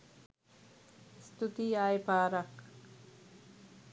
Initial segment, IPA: s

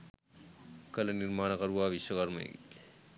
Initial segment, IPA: k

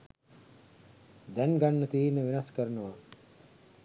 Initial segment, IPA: d̪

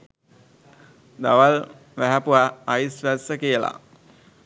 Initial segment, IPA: d̪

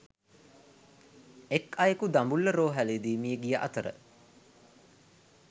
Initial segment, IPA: e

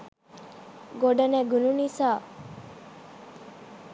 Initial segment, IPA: ɡ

